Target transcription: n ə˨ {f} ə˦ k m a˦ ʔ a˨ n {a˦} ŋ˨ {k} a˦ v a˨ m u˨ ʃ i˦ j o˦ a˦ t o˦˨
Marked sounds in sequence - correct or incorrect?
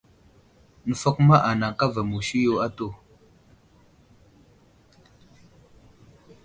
correct, incorrect, correct

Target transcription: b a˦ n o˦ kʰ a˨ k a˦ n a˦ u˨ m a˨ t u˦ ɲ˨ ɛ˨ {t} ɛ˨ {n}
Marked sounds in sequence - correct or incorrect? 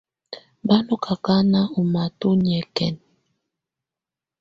incorrect, correct

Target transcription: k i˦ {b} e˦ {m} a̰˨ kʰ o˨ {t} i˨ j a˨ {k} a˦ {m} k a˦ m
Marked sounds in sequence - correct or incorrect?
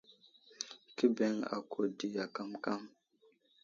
correct, incorrect, incorrect, correct, correct

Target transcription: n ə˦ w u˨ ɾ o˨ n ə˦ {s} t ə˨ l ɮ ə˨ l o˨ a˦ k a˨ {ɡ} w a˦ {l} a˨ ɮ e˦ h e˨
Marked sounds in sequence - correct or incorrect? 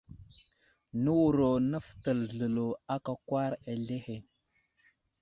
incorrect, incorrect, incorrect

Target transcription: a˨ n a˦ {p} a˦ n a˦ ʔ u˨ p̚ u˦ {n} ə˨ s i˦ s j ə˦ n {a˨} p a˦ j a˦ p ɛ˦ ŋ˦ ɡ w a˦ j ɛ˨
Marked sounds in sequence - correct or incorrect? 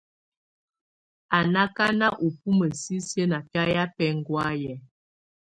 incorrect, incorrect, correct

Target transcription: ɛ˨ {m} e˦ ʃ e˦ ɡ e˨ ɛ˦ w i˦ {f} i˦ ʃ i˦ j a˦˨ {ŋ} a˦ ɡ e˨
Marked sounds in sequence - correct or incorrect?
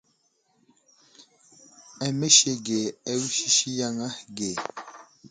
correct, incorrect, correct

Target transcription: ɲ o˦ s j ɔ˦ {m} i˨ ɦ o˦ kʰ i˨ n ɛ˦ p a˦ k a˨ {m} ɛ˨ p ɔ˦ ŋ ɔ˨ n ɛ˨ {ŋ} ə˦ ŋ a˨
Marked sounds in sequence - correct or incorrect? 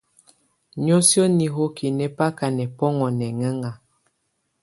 incorrect, incorrect, correct

